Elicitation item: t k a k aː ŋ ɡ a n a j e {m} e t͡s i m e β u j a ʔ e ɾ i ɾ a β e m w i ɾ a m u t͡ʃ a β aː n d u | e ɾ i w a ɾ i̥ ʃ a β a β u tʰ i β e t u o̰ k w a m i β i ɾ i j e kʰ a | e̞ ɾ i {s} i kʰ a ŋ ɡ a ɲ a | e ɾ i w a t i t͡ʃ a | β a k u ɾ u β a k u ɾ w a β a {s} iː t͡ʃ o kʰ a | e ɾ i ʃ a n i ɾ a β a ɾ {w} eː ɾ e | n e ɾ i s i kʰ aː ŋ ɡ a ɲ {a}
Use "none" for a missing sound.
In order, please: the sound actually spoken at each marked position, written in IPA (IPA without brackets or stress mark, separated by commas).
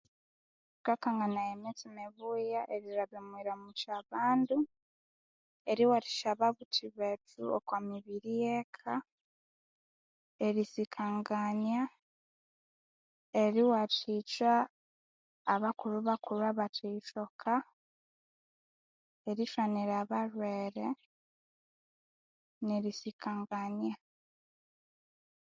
m, s, t, w, a